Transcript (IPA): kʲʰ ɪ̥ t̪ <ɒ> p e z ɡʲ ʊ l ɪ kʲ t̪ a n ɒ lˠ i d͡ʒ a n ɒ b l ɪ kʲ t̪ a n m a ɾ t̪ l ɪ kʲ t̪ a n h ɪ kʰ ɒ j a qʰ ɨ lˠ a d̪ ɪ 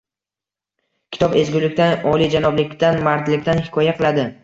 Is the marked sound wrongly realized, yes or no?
no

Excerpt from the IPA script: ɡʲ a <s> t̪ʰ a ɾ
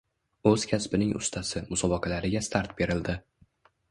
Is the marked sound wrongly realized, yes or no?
no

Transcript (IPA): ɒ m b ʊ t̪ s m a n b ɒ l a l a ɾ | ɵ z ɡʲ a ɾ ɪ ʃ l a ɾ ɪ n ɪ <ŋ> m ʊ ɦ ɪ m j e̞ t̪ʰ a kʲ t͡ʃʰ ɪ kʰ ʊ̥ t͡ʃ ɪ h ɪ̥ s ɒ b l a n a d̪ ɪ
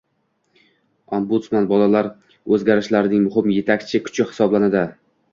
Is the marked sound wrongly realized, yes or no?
no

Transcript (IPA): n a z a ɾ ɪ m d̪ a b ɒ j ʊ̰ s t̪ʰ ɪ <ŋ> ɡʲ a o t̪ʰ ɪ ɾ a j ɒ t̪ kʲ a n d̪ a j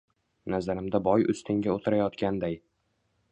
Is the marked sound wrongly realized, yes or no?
no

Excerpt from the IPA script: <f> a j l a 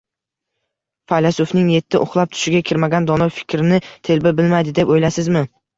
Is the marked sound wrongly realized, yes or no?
no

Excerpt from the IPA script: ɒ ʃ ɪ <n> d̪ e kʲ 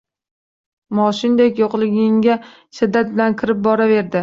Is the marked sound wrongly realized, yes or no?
no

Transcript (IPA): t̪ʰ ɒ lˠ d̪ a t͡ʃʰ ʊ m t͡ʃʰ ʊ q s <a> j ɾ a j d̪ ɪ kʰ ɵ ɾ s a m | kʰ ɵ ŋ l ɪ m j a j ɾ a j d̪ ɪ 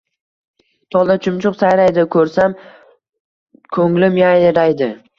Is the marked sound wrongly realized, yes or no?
no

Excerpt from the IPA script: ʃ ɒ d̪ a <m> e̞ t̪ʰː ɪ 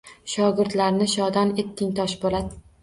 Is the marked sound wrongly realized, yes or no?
yes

